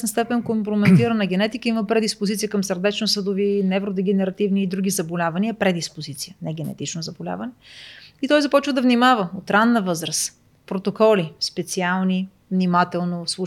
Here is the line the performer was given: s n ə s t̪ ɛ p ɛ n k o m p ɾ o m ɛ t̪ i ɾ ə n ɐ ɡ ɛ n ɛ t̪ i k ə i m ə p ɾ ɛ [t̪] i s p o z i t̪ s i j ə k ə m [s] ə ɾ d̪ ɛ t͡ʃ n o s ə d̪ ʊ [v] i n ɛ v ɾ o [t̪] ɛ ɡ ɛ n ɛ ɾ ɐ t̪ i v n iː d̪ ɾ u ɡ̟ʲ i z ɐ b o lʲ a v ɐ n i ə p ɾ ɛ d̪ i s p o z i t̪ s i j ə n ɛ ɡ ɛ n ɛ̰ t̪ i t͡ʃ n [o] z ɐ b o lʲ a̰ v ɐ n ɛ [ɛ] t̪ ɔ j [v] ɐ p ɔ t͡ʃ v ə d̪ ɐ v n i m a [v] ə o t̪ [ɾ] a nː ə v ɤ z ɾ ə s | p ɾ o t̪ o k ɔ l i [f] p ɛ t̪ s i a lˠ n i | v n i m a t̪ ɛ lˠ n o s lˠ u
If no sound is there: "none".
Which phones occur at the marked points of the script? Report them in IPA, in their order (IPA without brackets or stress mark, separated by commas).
d̪, s, v, d̪, o, i, z, v, ɾ, s